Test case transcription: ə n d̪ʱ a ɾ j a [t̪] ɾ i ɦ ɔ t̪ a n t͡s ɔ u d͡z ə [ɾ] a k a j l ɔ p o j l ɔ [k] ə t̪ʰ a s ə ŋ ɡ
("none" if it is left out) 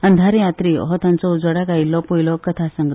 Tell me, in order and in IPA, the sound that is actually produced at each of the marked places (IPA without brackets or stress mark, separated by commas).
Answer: t̪, ɽ, k